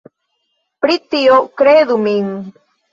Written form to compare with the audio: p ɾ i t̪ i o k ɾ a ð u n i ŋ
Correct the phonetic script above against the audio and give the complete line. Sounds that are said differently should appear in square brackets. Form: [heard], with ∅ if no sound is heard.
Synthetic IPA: p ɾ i t̪ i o k ɾ [e] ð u [m] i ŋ